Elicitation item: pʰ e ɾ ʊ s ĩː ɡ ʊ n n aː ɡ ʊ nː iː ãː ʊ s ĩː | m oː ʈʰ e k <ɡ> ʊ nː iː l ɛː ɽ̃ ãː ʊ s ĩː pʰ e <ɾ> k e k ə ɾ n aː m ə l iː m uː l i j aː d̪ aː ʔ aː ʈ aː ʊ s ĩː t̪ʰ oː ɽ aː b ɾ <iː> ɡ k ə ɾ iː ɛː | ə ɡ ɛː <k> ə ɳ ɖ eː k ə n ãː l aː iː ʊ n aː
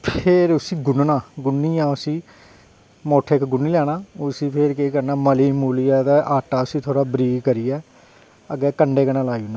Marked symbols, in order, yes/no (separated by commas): yes, yes, yes, yes